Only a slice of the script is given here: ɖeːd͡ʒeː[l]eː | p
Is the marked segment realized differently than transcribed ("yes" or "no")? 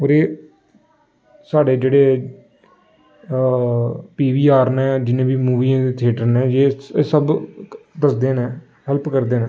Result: yes